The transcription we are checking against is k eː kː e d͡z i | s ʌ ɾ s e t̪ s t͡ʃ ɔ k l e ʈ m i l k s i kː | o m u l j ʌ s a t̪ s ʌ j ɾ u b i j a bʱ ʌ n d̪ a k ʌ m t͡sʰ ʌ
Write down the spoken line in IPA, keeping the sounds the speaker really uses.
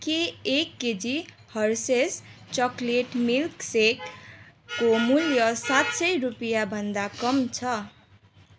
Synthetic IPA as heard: k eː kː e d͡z i | h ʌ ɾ s e s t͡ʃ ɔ k l e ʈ m i l k s e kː | o m u l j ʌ s a t̪ s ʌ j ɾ u p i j a bʱ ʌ n d̪ a k ʌ m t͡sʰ ʌ